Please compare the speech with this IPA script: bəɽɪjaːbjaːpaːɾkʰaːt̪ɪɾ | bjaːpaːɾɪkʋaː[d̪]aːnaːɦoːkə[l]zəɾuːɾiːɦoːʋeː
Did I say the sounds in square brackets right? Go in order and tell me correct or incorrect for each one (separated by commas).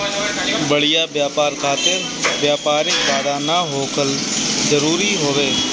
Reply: correct, correct